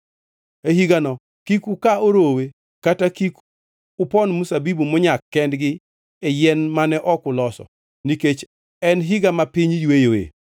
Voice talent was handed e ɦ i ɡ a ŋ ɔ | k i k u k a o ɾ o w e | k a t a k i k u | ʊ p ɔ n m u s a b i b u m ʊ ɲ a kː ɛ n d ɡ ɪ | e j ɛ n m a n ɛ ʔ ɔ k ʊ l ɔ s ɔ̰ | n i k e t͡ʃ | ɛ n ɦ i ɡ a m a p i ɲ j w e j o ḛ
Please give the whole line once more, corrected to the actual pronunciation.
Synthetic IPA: e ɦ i ɡ a n ɔ | k i k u k a o ɾ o w e | k a t a k i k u | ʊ p ɔ n m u s a b i b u m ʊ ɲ a kː ɛ n d ɡ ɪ | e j ɛ n m a n ɛ ʔ ɔ k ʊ l ɔ s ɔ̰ | n i k e t͡ʃ | ɛ n ɦ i ɡ a m a p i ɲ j w e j o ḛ